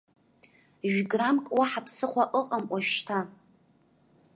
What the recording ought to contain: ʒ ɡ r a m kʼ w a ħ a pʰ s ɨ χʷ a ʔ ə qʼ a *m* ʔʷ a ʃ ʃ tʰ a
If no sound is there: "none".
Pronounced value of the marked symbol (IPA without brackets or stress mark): m